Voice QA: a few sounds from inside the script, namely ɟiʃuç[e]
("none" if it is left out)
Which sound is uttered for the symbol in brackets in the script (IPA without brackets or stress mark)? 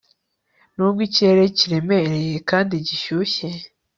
e